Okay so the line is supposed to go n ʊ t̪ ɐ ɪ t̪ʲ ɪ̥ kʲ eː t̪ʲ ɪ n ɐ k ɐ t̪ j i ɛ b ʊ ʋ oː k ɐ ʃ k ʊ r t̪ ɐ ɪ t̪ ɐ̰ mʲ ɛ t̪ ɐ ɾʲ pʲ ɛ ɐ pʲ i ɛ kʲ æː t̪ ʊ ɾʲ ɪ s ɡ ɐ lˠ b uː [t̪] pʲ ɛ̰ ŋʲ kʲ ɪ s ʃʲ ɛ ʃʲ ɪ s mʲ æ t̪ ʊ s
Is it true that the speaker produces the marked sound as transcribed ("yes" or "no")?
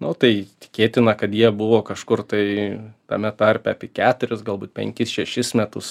yes